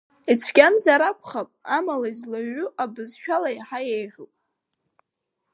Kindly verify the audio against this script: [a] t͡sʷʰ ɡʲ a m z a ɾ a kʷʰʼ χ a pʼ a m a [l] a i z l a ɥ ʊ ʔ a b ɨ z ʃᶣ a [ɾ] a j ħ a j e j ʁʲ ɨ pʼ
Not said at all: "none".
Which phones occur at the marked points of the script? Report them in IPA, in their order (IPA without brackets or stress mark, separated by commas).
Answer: i, l, l